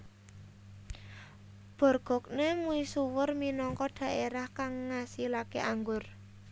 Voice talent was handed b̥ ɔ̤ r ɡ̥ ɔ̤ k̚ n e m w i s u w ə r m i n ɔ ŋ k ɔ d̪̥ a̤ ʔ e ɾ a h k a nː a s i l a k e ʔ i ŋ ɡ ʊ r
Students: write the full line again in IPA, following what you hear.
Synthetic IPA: b̥ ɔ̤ r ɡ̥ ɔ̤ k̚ n e m u i s u w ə r m i n ɔ ŋ k ɔ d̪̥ a̤ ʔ e ɾ a h k a ŋː a s i l a k e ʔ a ŋ ɡ ʊ r